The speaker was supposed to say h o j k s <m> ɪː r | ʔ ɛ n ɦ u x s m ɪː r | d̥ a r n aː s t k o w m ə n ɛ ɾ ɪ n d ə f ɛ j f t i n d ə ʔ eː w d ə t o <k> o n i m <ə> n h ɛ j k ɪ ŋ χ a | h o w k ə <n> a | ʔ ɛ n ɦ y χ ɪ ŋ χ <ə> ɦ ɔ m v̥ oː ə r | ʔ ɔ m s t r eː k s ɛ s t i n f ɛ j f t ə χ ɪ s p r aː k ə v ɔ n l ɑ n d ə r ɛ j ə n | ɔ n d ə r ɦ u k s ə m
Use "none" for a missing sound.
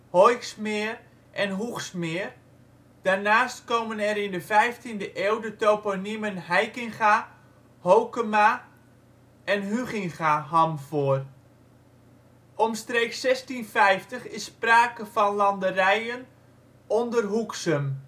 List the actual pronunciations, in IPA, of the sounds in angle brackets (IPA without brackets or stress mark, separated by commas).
m, p, ə, m, a